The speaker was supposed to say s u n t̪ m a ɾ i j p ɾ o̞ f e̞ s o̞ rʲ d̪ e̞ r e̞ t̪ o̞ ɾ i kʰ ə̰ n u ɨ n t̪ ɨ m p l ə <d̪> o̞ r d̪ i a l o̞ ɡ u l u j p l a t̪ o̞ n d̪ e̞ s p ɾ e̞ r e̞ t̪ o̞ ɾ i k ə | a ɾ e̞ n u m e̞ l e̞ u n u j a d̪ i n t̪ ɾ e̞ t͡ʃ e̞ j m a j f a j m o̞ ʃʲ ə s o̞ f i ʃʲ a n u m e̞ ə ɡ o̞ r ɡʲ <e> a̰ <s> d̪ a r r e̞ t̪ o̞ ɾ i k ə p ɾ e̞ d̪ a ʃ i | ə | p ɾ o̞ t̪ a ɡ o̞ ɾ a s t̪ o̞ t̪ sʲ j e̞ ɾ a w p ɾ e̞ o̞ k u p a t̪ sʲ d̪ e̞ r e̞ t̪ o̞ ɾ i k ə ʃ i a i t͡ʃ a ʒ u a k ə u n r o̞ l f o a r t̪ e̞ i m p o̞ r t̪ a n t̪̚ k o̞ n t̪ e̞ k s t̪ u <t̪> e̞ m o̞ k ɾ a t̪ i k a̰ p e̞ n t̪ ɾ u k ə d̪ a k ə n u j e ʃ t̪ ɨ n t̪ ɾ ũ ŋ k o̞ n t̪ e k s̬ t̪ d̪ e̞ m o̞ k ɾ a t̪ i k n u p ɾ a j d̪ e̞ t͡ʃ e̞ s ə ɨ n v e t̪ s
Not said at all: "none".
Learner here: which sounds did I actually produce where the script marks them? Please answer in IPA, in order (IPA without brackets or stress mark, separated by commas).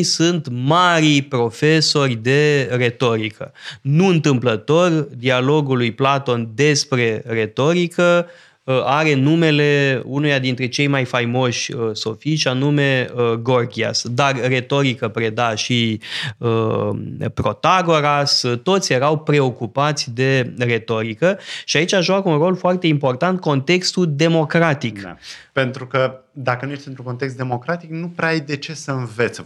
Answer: t̪, i, s, d̪